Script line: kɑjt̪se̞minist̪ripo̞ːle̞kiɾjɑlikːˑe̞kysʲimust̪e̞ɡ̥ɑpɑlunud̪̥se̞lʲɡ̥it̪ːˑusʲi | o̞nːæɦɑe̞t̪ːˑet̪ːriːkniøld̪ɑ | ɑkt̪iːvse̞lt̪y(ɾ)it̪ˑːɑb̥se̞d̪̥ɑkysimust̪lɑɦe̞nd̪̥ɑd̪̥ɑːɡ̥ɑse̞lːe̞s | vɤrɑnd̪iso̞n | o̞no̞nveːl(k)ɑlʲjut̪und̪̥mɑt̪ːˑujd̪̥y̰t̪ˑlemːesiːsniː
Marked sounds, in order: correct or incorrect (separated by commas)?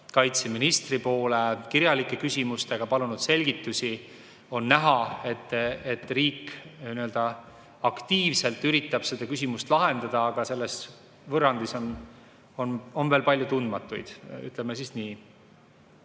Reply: correct, incorrect